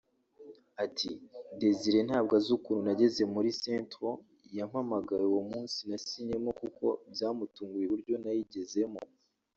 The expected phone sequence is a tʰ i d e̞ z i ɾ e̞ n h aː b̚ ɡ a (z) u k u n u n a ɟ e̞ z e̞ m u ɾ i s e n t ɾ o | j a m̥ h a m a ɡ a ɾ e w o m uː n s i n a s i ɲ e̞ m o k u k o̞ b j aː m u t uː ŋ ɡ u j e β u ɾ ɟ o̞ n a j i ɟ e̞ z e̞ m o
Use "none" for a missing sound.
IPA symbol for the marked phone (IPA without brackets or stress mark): z